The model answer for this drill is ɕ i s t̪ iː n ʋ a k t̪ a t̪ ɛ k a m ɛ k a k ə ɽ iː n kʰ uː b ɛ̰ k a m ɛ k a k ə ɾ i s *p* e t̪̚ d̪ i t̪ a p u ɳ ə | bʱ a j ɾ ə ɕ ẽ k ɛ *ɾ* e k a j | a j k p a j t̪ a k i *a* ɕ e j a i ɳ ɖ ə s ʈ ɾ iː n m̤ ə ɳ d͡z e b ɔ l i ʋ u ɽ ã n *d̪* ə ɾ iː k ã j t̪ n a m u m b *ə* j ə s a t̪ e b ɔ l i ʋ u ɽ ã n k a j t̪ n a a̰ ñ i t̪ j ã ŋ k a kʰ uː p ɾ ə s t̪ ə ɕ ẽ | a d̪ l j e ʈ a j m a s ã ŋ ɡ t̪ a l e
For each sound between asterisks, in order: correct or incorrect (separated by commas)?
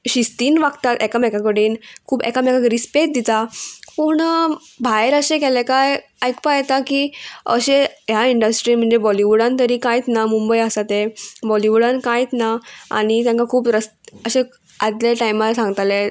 correct, incorrect, incorrect, incorrect, correct